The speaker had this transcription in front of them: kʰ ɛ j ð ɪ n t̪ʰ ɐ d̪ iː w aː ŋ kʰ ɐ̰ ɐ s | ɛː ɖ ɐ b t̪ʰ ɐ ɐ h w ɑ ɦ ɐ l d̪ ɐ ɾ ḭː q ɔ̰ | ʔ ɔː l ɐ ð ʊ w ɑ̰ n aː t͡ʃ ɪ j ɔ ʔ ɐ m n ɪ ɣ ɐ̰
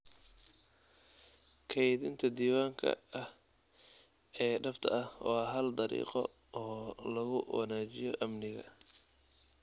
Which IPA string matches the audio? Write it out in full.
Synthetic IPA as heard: kʰ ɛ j ð ɪ n t̪ʰ ɐ d̪ iː w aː ŋ kʰ ɐ̰ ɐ h | ɛː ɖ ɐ b t̪ʰ ɐ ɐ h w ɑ ɦ ɐ l d̪ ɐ ɾ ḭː q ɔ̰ | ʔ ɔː l ɐ ɣ ʊ w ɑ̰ n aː t͡ʃ ɪ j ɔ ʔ ɐ m n ɪ ɣ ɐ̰

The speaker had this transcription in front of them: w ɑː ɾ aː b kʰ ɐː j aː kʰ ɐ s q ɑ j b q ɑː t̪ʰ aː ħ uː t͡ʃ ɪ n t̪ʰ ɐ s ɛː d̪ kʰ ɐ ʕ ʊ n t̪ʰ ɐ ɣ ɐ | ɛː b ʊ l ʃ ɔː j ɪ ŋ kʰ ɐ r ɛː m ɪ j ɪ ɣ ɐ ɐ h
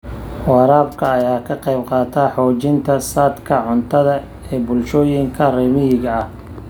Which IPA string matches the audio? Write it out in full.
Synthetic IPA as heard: w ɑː ɾ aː b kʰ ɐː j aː kʰ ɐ q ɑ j b q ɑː t̪ʰ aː ħ ɔː t͡ʃ ɪ n t̪ʰ ɐ s aː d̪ kʰ ɐ ʕ ʊ n t̪ʰ ɐ ð ɐ | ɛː b ʊ l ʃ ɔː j ɪ ŋ kʰ ɐ r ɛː m ɪ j ɪ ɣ ɐ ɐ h

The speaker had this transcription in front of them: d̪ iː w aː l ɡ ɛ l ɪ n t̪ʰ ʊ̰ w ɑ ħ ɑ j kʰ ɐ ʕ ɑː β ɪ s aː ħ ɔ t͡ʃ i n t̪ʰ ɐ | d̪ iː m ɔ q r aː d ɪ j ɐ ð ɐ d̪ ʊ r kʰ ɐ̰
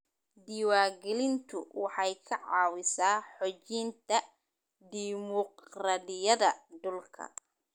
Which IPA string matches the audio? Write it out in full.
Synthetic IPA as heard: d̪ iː w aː ɡ ɛ l ɪ n t̪ʰ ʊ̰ w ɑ ħ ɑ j kʰ ɐ ʕ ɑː w ɪ s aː ħ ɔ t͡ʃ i n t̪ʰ ɐ | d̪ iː m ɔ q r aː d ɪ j ɐ ð ɐ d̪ ʊ l kʰ ɐ̰

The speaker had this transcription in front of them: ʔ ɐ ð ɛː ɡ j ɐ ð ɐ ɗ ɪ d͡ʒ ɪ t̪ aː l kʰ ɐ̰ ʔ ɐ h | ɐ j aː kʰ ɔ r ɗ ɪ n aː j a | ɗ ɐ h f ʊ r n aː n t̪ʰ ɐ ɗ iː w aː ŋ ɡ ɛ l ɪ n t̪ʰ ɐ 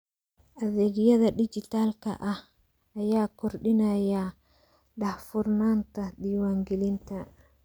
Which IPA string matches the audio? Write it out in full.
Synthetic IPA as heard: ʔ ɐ ð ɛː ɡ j ɐ ð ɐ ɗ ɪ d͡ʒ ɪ t̪ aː l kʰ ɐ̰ ʔ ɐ h | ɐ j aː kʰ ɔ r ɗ ɪ n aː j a | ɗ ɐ h f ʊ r n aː n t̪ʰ ɐ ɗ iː w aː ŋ ɡ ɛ l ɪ n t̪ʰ ɐ

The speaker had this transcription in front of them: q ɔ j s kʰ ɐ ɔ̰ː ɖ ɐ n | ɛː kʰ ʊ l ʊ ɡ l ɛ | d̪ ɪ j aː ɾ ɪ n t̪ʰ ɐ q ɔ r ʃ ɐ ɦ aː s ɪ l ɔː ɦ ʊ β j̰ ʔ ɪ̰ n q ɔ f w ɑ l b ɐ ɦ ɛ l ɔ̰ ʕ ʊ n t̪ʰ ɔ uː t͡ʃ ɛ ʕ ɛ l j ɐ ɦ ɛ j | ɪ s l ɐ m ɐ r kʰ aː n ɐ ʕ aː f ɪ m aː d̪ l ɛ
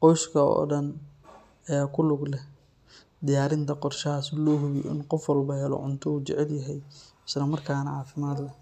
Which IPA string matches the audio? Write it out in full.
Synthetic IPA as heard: q ɔ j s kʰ ɐ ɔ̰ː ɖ ɐ n | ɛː kʰ ʊ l ʊ ɡ l ɛ | d̪ ɪ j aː ɾ ɪ n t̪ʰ ɐ q ɔ r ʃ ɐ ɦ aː s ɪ l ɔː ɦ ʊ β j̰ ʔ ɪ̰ n q ɔ f w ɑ l b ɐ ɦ ɛ l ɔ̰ ʕ ʊ n t̪ʰ ɔ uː t͡ʃ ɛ ʕ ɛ l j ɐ ɦ ɛ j | ɪ s l ɐ m ɐ r kʰ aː n ɐ ʕ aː f ɪ m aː d̪ l ɛ

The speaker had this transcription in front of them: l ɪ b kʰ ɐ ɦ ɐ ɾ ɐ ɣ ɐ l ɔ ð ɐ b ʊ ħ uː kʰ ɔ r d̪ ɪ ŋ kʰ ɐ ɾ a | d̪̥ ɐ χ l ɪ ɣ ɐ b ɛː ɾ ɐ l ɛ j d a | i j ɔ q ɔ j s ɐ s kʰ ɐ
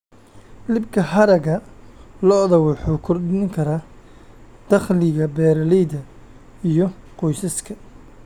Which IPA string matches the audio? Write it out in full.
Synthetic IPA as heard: l ɪ b kʰ ɐ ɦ ɐ ɾ ɐ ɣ ɐ l ɔ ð ɐ w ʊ ħ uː kʰ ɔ r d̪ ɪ ŋ kʰ ɐ ɾ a | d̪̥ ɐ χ l ɪ ɣ ɐ b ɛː ɾ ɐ l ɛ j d ɐ | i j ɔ q ɔ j s ɐ s kʰ ɐ

